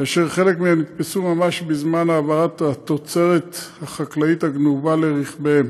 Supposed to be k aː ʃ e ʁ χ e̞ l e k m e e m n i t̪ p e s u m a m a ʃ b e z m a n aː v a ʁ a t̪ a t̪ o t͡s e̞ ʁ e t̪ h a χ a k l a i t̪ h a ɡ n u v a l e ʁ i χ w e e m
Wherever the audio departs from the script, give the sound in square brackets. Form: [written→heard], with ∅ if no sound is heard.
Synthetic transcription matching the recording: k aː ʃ e ʁ χ e̞ l e k m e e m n i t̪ p e s u m a m a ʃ b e z m a n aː v a ʁ a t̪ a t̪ o t͡s e̞ ʁ e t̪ h a χ a k l a i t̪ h a ɡ n u v a l e ʁ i χ [w→b] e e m

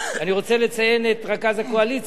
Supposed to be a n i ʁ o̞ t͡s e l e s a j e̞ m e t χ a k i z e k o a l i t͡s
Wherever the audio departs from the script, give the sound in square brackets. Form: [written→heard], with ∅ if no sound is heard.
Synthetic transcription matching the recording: a n i ʁ o̞ t͡s e l e [s→t͡s] a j e̞ [m→n] e t [χ→ʁ] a k [i→a] z [e→a] k o a l i t͡s

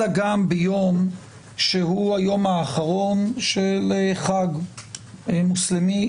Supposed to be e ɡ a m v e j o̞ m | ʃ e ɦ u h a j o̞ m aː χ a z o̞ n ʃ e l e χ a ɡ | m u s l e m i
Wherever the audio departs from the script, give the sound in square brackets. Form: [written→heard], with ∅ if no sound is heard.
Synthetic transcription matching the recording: [e→a] ɡ a m [v→b] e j o̞ m | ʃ e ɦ u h a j o̞ m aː χ a [z→ʁ] o̞ n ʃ e l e χ a ɡ | m u s l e m i

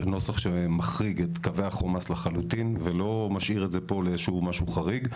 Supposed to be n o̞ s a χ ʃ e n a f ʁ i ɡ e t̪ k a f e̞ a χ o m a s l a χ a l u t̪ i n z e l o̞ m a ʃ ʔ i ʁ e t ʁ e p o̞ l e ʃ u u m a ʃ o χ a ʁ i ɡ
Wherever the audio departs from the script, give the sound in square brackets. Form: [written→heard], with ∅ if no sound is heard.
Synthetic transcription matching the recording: n o̞ s a χ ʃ e [n→m] a [f→χ] ʁ i ɡ e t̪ k a [f→v] e̞ a χ o m a s l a χ a l u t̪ i n [z→v] e l o̞ m a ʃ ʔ i ʁ e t [ʁ→z] e p o̞ l e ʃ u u m a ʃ [o→u] χ a ʁ i ɡ

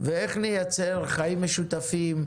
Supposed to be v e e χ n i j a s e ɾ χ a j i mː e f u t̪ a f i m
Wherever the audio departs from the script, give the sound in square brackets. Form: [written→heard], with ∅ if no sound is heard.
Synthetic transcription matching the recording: v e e χ n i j a [s→t͡s] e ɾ χ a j i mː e [f→ʃ] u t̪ a f i m

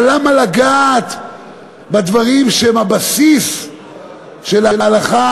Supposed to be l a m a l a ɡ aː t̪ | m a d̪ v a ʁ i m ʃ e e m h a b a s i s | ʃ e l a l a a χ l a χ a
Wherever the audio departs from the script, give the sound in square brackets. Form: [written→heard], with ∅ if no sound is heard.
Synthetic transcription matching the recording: l a m a l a ɡ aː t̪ | [m→b] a d̪ v a ʁ i m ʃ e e m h a b a s i s | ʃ e l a l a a [χ→∅] l a χ a

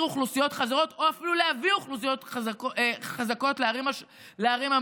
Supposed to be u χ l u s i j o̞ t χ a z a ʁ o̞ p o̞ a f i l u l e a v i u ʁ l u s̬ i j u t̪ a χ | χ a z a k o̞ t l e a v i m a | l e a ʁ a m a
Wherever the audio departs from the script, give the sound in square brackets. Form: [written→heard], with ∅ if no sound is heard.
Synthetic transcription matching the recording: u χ l u s i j o̞ t χ a z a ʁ o̞ [p→t] o̞ a f i l u l e a v i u [ʁ→χ] l u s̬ i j [u→o] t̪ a [χ→∅] | χ a z a k o̞ t l e a [v→ʁ] i m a | l e a ʁ [a→i] m a

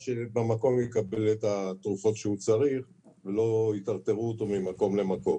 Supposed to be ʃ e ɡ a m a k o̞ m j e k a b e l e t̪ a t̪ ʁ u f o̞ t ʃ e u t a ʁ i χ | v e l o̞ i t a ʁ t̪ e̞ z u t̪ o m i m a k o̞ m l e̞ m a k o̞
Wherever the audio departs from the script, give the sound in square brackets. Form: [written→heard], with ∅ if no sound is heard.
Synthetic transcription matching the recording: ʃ e [ɡ→b] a m a k o̞ m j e k a b e l e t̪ a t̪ ʁ u f o̞ t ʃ e u [t→t͡s] a ʁ i χ | v e l o̞ i t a ʁ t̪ e̞ [z→ʁ] u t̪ o m i m a k o̞ m l e̞ m a k o̞

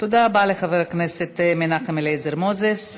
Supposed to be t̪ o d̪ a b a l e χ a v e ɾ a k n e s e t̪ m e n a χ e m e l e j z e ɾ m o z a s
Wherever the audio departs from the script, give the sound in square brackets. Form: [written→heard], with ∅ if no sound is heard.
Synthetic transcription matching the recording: t̪ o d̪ a b a l e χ a v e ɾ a k n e s e t̪ m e n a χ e m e l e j z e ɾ m o z [a→e] s

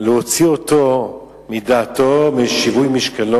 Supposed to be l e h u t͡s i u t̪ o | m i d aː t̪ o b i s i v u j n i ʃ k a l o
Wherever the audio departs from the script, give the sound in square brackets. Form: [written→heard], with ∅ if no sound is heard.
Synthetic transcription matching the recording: l e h [u→o] t͡s i [u→o] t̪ o | m i d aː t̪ o [b→m] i [s→ʃ] i v u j [n→m] i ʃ k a l o

